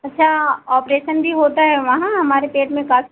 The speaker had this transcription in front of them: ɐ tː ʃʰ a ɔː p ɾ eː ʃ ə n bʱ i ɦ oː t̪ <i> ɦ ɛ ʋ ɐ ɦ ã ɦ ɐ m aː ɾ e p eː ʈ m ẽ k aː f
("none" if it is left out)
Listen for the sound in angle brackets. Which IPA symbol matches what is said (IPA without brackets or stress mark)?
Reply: a